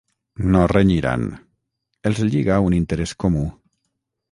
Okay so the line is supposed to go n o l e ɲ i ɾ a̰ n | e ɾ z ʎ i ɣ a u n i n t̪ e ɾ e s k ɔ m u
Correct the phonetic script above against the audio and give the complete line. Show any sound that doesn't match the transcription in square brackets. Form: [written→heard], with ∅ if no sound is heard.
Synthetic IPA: n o [l→r] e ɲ i ɾ a̰ n | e [ɾ→l] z ʎ i ɣ a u n i n t̪ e ɾ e s k [ɔ→o] m u